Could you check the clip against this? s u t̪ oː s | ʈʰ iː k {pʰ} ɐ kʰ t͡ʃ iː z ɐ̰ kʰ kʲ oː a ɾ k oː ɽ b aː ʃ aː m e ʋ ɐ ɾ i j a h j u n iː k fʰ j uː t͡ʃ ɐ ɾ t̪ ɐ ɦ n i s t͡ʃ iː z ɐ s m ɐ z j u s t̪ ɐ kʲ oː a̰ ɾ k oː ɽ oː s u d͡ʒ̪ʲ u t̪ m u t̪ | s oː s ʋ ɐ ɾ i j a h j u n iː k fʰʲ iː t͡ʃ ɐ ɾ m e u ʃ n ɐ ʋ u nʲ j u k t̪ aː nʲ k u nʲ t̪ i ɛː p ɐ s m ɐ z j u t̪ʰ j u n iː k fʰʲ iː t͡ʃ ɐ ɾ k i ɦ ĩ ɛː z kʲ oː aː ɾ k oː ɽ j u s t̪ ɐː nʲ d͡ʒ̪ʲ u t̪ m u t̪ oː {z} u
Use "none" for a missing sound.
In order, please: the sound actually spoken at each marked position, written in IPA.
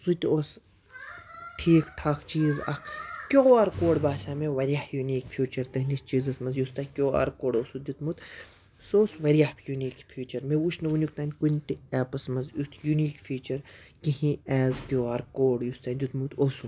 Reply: ʈʰ, s

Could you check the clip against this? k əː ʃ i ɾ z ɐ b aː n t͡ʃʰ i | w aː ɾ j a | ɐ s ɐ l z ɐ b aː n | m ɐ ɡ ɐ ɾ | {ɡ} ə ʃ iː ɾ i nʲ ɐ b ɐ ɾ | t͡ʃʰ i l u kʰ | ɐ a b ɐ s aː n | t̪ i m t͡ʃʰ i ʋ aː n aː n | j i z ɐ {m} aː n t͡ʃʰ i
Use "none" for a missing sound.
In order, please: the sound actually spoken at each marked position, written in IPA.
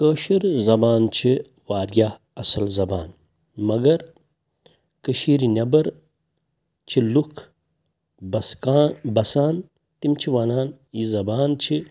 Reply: k, b

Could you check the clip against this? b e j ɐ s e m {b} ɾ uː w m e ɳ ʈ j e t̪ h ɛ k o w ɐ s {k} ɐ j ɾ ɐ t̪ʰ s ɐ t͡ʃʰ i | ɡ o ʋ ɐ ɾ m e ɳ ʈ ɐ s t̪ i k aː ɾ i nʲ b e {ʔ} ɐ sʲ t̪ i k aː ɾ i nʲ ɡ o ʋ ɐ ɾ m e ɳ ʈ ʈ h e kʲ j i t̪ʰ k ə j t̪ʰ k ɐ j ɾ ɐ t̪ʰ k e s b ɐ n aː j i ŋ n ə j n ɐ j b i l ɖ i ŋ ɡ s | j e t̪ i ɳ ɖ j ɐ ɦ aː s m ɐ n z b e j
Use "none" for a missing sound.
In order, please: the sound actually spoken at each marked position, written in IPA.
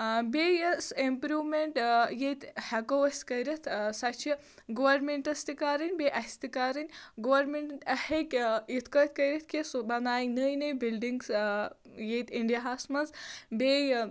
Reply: p, k, ʔ

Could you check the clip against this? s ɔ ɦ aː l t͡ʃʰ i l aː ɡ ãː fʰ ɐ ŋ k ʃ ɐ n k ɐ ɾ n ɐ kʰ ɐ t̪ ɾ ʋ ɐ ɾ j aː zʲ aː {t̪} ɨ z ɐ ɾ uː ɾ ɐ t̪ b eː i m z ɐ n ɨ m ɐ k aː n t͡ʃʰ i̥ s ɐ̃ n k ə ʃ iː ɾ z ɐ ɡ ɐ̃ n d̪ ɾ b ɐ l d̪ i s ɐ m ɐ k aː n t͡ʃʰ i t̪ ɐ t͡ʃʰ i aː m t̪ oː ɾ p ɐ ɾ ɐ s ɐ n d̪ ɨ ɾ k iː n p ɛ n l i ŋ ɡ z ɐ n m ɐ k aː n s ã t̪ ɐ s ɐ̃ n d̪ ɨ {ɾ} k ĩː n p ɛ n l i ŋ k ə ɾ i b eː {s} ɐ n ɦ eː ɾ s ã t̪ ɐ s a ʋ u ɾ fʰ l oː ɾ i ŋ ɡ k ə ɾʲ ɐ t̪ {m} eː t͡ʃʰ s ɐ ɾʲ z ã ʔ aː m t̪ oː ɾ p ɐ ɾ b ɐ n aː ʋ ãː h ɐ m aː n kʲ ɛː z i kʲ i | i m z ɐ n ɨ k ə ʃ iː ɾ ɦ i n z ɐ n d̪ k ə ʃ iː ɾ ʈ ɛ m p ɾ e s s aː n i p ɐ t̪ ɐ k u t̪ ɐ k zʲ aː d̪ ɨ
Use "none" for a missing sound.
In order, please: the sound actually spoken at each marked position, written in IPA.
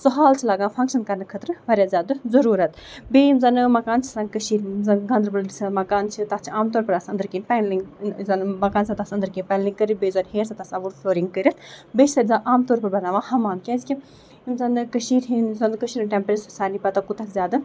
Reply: d̪, ɾ, z, b

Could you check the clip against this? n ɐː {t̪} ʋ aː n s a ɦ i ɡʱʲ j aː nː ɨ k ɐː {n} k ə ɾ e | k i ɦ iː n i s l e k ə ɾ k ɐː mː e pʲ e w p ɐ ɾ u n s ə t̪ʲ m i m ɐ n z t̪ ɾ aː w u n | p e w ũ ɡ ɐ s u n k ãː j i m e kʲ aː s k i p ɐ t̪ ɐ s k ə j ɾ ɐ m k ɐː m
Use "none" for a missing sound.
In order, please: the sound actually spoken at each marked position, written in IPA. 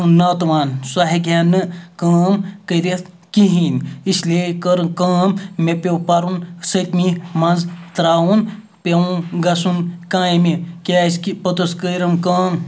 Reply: t̪, m

